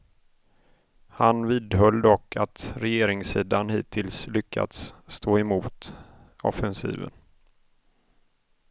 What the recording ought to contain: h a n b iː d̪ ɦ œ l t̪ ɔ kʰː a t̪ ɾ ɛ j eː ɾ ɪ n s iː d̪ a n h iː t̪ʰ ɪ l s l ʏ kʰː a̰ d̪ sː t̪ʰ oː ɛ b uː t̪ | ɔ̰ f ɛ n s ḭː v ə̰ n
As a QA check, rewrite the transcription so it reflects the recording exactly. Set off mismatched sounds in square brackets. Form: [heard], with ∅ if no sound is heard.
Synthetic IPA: h a n [v] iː d̪ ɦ œ l [d̪] ɔ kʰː a t̪ ɾ ɛ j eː ɾ ɪ [ŋ] s iː d̪ a n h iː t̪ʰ ɪ l s l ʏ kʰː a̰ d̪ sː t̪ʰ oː ɛ [m] uː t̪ | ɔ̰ f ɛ n s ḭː v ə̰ n